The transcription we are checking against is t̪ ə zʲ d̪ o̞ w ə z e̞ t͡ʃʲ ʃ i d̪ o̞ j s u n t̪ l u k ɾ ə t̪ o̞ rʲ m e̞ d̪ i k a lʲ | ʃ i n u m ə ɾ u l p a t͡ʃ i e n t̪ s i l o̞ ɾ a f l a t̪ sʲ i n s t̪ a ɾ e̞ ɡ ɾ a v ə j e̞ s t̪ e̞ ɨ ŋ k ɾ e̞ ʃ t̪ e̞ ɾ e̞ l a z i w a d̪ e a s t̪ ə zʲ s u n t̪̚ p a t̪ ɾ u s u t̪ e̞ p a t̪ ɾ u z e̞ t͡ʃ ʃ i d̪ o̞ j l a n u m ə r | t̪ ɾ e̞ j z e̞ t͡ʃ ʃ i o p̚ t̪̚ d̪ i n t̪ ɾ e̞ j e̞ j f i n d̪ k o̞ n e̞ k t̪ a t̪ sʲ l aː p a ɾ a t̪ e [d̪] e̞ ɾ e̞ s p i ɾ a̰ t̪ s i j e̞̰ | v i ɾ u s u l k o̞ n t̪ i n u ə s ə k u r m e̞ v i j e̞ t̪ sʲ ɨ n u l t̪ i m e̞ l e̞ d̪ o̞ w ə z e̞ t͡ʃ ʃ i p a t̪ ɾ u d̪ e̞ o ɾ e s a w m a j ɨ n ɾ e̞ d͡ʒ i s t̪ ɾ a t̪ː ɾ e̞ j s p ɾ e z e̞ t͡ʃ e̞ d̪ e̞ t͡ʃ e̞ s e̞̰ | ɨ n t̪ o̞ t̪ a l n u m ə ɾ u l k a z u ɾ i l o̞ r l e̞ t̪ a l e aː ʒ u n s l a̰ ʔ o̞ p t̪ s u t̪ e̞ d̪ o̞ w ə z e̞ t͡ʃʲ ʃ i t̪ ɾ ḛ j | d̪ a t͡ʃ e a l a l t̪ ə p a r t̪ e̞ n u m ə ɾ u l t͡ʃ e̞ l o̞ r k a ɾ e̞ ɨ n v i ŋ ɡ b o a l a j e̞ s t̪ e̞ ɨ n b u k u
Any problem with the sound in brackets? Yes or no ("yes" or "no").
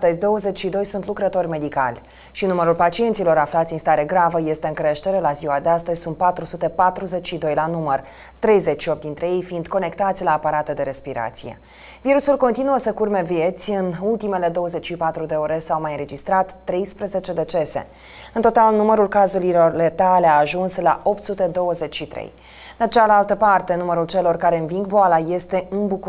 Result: no